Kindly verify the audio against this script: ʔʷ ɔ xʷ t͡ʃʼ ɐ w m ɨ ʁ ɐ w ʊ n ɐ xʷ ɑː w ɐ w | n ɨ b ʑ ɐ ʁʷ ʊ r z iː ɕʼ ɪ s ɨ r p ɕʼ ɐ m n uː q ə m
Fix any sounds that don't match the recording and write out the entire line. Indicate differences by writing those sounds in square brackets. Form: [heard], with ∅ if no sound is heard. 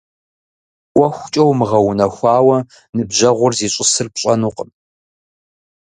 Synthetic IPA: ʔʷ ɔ xʷ t͡ʃʼ ɐ w m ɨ ʁ ɐ w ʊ n ɐ xʷ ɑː w ɐ [∅] | n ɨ b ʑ ɐ ʁʷ ʊ r z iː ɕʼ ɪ s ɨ r p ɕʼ ɐ [∅] n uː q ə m